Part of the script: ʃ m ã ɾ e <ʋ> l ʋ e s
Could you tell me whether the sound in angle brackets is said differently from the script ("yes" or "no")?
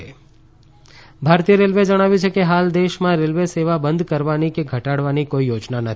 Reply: yes